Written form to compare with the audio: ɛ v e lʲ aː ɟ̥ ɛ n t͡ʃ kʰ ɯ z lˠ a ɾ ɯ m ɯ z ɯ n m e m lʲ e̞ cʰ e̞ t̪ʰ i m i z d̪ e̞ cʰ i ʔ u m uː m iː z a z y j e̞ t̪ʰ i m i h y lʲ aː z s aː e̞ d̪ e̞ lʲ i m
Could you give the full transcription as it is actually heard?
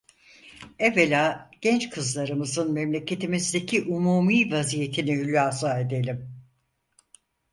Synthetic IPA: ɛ v e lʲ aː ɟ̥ ɛ n t͡ʃ kʰ ɯ z lˠ a ɾ ɯ m ɯ z ɯ n m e m lʲ e̞ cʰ e̞ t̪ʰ i m i z d̪ e̞ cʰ i ʔ u m uː m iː v a z i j e̞ t̪ʰ i n i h y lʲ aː s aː e̞ d̪ e̞ lʲ i m